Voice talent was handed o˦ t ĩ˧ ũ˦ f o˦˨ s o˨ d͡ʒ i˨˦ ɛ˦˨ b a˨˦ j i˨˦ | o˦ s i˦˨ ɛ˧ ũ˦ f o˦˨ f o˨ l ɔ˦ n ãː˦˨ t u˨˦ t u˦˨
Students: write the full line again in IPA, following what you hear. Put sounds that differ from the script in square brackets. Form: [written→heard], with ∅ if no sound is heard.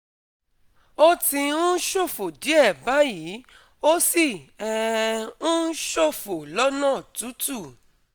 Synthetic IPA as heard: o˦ t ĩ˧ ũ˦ [f→ʃ] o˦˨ [s→f] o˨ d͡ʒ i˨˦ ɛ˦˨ b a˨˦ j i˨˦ | o˦ s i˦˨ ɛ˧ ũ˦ [f→ʃ] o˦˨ f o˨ l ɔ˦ n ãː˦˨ t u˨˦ t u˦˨